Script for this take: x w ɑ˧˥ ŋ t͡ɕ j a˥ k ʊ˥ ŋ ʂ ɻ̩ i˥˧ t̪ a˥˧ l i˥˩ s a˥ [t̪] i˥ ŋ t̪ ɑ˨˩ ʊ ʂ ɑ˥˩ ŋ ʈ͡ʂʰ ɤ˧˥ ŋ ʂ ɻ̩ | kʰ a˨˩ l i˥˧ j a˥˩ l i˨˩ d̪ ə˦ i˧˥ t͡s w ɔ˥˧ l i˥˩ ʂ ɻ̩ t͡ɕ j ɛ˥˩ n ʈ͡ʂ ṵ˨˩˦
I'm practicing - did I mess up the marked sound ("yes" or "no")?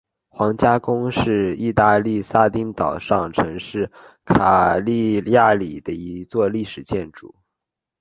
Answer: no